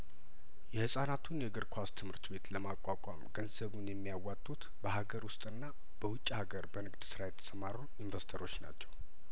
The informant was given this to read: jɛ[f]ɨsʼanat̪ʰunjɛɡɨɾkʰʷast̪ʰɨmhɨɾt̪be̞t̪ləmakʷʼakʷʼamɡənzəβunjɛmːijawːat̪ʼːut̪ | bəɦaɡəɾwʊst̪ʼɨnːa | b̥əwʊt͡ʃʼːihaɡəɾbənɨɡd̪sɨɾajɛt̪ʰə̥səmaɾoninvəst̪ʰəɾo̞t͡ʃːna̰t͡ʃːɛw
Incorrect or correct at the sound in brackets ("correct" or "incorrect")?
incorrect